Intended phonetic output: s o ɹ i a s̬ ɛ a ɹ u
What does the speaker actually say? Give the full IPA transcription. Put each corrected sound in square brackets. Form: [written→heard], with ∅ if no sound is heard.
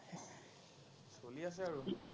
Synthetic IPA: s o [ɹ→l] i a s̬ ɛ a ɹ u